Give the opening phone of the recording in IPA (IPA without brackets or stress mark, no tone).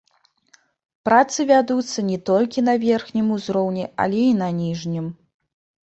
p